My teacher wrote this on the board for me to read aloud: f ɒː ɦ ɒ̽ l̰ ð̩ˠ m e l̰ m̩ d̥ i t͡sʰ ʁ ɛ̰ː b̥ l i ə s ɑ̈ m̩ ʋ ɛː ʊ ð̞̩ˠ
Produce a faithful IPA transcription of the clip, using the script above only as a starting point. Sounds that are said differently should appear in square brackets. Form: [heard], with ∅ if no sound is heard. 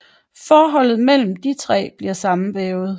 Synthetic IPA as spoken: f ɒː ɦ ɒ̽ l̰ ð̩ˠ m e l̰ m̩ d̥ i t͡sʰ ʁ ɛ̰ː b̥ l i [ɐ] s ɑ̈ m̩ ʋ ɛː ʊ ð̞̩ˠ